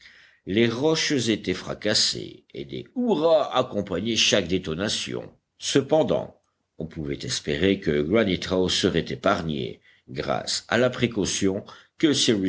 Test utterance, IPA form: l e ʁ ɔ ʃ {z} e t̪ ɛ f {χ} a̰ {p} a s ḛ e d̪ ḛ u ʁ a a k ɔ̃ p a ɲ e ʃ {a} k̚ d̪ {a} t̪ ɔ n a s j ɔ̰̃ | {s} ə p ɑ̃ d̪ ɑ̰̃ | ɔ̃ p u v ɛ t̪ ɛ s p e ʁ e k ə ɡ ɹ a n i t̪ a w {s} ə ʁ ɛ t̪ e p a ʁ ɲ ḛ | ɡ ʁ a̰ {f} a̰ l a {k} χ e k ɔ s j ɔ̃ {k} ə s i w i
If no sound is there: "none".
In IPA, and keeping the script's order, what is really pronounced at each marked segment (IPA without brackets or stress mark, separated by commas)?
z, χ, k, a, e, s, s, s, p, k